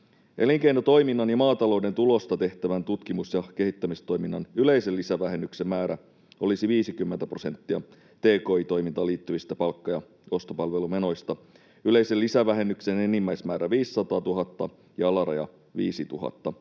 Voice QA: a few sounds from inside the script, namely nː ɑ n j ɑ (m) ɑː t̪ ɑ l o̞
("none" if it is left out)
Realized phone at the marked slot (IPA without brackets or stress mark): m